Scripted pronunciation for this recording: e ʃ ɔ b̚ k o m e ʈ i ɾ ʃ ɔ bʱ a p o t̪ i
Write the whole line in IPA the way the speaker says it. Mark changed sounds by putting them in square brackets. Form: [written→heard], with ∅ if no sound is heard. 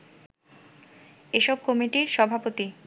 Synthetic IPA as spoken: e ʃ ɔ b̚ k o m [e→i] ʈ i ɾ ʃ ɔ bʱ a p o t̪ i